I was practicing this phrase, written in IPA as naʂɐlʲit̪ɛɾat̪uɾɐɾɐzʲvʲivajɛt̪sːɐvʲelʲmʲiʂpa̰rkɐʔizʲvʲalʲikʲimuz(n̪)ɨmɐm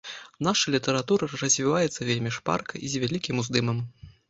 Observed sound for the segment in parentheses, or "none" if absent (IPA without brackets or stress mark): d̪